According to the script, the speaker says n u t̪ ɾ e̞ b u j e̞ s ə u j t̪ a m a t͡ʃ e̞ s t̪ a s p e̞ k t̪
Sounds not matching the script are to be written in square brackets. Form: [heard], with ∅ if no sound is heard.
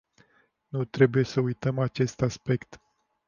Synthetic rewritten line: n u t̪ ɾ e̞ b u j e̞ s ə u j t̪ [ə] m a t͡ʃ e̞ s t̪ a s p e̞ k t̪

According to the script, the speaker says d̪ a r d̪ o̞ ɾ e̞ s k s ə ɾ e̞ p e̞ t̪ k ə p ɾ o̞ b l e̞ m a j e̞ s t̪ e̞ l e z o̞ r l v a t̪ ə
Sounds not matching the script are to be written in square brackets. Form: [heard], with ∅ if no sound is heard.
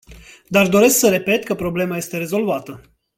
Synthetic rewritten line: d̪ a r d̪ o̞ ɾ e̞ s k s ə ɾ e̞ p e̞ t̪ k ə p ɾ o̞ b l e̞ m a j e̞ s t̪ e̞ [ɾ] e z o̞ [∅] l v a t̪ ə

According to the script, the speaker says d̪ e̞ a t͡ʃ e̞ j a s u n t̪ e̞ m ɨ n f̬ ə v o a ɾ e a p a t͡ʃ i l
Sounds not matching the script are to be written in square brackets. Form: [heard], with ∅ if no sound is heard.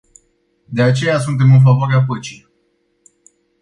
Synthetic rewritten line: d̪ e̞ a t͡ʃ e̞ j a s u n t̪ e̞ m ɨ n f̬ [a] v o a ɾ e a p [ə] t͡ʃ i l

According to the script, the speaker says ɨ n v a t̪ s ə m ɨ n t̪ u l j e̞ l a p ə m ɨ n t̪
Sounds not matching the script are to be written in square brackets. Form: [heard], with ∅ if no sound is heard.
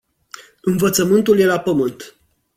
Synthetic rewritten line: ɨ n v [ə] t̪ s ə m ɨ n t̪ u l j e̞ l a p ə m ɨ n t̪

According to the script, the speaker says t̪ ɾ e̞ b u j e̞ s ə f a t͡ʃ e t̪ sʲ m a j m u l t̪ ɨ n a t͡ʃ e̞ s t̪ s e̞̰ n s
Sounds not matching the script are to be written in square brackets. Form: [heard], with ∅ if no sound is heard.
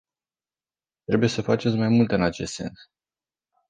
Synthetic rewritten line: t̪ ɾ e̞ b u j e̞ s ə f a t͡ʃ e t̪ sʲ m a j m u l t̪ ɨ n a t͡ʃ e̞ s t̪ s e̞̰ n s

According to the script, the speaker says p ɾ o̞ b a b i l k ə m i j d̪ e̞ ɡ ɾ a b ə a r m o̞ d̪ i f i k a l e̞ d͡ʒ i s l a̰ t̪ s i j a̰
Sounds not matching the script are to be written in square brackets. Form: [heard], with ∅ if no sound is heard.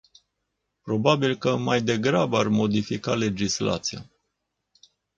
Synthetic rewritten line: p ɾ o̞ b a b i l k ə m [a] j d̪ e̞ ɡ ɾ a b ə a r m o̞ d̪ i f i k a l e̞ d͡ʒ i s l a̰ t̪ s i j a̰

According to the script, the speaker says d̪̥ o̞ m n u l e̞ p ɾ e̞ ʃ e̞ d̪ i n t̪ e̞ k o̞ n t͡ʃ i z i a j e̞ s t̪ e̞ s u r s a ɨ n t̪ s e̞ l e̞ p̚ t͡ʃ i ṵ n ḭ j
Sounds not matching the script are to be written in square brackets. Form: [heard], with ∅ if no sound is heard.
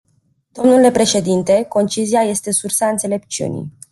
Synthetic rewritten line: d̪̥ o̞ m n u l e̞ p ɾ e̞ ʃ e̞ d̪ i n t̪ e̞ k o̞ n t͡ʃ i z i a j e̞ s t̪ e̞ s u r s a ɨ n t̪ s e̞ l e̞ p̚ t͡ʃ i ṵ n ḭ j

